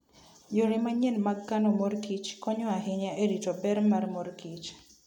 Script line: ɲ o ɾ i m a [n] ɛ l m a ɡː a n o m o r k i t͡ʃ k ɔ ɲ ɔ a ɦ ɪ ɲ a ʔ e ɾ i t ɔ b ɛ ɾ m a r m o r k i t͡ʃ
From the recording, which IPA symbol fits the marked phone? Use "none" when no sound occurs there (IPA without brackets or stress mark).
ɲ